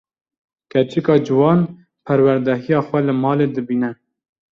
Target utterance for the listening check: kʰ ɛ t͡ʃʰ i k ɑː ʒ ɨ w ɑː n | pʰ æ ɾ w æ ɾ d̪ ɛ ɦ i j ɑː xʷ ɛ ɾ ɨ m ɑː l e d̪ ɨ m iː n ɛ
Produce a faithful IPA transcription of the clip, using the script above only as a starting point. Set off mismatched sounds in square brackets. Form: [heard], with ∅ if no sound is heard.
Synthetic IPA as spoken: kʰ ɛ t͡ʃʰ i k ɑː [d͡ʒ] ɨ w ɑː n | pʰ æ ɾ w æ ɾ d̪ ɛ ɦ i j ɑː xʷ ɛ [l] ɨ m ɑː l e d̪ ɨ [b] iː n ɛ